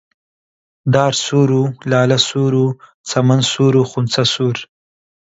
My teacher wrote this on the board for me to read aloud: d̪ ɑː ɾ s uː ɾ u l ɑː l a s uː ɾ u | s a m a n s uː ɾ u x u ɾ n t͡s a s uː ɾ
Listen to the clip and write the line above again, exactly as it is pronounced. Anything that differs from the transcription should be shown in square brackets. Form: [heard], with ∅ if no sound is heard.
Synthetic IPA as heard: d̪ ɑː ɾ s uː ɾ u l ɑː l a s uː ɾ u | [t͡s] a m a n s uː ɾ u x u [∅] n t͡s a s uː ɾ